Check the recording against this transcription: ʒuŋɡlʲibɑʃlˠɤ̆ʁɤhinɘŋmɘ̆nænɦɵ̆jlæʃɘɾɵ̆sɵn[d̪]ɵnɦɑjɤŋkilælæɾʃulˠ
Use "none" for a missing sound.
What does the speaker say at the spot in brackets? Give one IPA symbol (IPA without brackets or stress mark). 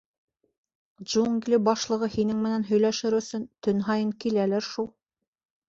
t̪